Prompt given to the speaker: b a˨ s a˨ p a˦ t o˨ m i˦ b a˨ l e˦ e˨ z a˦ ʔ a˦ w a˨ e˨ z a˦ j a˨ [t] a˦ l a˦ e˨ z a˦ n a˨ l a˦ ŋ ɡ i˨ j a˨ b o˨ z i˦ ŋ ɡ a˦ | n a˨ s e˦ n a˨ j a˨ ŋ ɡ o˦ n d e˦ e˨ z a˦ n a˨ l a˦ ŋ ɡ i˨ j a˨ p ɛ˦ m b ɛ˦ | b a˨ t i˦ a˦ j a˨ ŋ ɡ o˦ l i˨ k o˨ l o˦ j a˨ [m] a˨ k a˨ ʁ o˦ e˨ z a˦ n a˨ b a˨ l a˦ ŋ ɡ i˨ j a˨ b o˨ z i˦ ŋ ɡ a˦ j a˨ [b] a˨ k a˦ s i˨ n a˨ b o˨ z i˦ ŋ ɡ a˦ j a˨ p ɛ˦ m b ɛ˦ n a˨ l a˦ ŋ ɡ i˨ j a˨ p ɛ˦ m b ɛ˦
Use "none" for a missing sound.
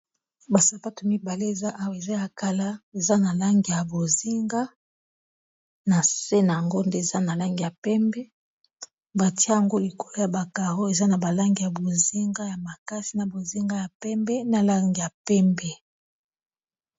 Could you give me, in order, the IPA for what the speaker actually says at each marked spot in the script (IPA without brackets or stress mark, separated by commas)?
k, b, m